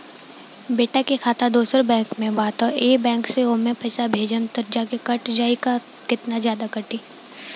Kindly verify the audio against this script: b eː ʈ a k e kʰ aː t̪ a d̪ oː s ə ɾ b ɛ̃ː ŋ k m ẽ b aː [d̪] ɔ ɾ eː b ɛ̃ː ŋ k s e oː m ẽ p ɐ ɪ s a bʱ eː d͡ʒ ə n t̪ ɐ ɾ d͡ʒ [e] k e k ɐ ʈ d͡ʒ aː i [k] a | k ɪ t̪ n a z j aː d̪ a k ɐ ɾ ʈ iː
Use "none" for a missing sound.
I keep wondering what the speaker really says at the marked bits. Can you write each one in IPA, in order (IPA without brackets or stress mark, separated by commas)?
t̪, a, k